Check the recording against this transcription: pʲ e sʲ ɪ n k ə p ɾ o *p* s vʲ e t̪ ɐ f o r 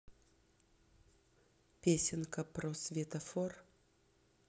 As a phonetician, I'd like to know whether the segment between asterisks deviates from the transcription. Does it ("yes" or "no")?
yes